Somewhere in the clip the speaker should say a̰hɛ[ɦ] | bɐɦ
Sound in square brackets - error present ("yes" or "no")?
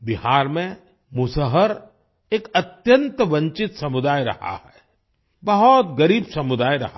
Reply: yes